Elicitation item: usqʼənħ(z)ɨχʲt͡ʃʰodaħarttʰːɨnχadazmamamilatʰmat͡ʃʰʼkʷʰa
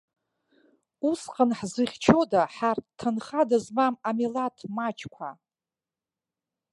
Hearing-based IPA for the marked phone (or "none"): z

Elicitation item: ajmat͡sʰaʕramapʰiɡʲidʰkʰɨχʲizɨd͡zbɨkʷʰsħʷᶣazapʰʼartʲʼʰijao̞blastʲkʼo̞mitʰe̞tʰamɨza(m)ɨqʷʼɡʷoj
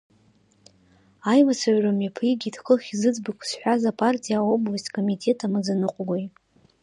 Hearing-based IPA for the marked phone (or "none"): n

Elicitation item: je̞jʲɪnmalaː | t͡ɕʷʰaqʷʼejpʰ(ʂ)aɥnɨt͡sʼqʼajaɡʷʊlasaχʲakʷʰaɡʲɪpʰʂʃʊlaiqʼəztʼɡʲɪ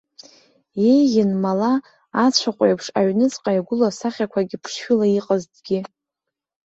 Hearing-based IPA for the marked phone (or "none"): ʂ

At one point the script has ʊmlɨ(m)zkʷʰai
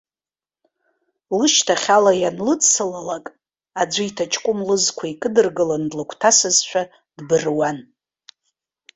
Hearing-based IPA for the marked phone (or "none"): none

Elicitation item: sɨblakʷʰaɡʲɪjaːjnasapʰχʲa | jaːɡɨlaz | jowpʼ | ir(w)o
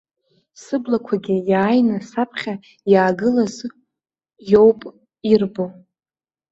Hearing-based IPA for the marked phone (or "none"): b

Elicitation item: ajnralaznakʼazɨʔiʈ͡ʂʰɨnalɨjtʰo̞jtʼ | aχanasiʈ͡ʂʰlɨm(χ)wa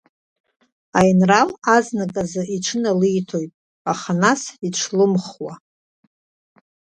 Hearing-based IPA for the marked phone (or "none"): χ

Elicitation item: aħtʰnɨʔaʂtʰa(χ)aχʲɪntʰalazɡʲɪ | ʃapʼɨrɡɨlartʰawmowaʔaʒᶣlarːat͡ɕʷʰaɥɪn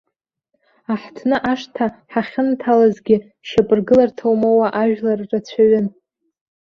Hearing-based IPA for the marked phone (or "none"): ħ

